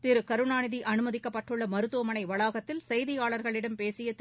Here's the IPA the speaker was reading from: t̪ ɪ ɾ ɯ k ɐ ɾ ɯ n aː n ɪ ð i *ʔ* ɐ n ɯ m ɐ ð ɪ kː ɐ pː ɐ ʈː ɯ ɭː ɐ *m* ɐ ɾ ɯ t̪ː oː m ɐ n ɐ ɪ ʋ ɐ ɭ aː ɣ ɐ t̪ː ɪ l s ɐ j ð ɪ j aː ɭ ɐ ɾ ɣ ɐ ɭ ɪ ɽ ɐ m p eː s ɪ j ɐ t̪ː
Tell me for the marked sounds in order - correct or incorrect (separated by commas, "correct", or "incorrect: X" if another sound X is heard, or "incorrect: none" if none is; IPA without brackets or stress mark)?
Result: correct, correct